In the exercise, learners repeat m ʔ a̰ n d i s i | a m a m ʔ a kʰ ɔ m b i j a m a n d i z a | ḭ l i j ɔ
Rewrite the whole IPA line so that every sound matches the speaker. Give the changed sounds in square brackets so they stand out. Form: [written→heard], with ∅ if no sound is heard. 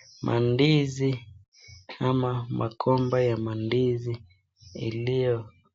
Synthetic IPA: m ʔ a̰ n d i [s→z] i | a m a m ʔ a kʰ ɔ m b [i→a] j a m a n d i z [a→i] | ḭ l i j ɔ